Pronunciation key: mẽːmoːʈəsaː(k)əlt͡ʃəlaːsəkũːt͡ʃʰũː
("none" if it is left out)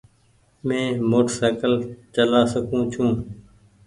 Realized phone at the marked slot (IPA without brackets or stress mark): k